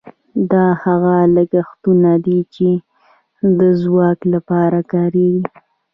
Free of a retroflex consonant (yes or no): yes